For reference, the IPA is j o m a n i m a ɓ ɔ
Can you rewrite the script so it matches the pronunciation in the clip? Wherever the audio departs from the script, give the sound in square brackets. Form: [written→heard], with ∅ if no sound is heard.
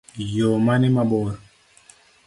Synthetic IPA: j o m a n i m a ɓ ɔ